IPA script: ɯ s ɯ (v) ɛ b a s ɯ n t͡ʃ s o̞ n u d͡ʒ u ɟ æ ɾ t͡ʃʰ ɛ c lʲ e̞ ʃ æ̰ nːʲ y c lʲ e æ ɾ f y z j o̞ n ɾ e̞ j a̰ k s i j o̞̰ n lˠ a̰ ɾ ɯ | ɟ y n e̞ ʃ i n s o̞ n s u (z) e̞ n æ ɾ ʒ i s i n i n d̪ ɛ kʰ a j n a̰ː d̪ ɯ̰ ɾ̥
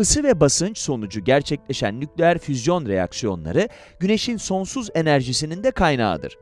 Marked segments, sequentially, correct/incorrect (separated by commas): correct, correct